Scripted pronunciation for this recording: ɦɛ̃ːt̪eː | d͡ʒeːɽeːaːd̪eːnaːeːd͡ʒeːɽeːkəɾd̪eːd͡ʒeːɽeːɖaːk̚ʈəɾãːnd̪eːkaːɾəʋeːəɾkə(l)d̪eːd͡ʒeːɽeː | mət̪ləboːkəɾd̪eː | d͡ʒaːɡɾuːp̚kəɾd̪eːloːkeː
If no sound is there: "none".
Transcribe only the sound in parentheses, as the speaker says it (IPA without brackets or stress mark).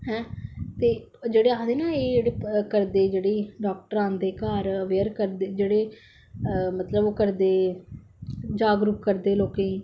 ɾ